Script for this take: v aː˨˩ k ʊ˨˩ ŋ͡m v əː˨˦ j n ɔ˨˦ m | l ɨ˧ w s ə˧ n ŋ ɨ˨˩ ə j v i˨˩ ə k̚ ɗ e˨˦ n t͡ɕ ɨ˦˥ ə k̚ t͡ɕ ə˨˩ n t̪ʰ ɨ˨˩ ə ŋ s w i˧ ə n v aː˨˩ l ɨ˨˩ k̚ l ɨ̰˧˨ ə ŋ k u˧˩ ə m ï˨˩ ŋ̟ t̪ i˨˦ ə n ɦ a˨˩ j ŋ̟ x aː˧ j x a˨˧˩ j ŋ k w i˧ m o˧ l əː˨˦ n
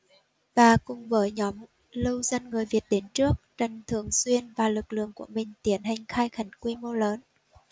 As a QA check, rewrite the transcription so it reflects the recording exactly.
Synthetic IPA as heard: v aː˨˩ k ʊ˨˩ ŋ͡m v əː˨˦ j ɲ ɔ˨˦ m | l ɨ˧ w z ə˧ n ŋ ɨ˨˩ ə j v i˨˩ ə t̚ ɗ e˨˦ n t͡ɕ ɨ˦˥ ə k̚ t͡ɕ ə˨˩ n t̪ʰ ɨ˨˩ ə ŋ s w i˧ ə n v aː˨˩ l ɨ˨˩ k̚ l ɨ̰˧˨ ə ŋ k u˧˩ ə m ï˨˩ ŋ̟ t̪ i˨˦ ə n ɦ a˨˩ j ŋ̟ x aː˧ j x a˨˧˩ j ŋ k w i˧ m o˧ l əː˨˦ n